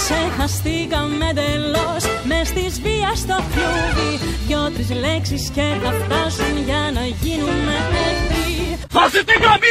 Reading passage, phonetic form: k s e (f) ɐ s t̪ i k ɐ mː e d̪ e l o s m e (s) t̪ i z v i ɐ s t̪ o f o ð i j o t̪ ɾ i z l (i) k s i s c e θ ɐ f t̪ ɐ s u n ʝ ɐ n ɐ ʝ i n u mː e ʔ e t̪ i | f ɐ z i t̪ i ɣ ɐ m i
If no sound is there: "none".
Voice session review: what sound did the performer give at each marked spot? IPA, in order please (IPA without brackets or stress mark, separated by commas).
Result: x, s, e